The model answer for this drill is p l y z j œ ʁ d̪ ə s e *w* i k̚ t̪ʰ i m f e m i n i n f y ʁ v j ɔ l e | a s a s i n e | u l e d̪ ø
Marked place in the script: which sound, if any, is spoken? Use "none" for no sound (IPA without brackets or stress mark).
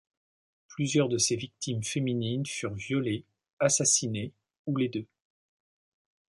v